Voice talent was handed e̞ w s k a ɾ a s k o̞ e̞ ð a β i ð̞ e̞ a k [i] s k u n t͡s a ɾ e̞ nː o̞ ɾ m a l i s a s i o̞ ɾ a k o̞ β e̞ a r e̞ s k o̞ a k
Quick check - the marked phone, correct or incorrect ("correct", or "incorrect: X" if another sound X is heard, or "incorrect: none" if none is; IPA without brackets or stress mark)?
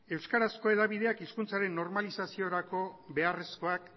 correct